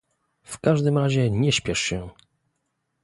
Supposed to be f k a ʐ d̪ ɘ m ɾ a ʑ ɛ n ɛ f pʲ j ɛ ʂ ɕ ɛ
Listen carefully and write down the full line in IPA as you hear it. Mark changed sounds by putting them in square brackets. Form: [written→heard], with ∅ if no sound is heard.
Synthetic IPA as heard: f k a ʐ d̪ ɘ m ɾ a ʑ ɛ [n→ɲ] ɛ [f→ɕ] pʲ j ɛ ʂ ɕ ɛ